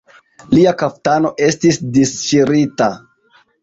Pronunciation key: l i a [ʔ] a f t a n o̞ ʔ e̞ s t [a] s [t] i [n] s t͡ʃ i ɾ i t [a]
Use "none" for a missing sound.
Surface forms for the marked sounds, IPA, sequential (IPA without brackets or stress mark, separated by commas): k, i, d, none, a